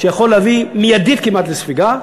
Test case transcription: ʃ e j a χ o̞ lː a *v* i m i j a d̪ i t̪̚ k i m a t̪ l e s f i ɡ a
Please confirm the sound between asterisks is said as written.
yes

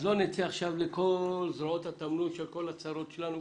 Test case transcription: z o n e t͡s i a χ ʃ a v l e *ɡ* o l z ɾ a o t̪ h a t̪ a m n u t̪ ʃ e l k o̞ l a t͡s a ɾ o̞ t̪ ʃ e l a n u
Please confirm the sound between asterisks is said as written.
no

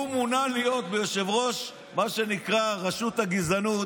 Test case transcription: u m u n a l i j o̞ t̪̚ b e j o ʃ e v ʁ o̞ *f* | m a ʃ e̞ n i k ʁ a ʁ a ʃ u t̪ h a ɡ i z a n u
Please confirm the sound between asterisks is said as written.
no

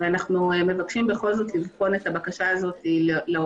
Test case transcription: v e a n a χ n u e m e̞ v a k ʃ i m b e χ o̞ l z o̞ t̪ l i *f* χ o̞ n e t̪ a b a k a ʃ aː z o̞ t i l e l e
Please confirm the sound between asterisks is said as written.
no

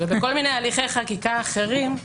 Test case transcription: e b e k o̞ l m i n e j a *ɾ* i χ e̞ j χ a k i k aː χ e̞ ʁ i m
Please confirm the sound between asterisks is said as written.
no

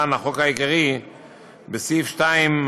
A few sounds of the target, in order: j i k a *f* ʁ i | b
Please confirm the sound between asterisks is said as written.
no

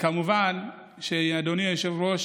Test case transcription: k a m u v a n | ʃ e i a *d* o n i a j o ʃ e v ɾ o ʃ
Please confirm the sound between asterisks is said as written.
yes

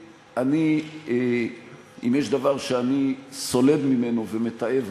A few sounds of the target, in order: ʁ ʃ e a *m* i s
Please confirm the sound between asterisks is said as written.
no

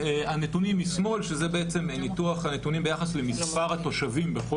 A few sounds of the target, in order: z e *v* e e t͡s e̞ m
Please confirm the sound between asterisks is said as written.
no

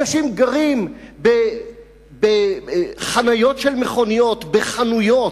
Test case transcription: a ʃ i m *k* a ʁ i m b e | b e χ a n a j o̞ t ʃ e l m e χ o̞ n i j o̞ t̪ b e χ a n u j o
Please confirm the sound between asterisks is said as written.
no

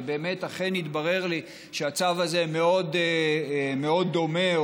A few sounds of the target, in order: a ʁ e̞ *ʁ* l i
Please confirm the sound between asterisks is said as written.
yes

